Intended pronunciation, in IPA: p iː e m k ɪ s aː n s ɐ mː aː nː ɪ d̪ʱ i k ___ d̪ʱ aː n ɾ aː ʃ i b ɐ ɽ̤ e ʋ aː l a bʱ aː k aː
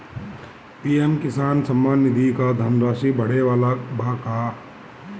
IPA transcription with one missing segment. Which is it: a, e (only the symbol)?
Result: a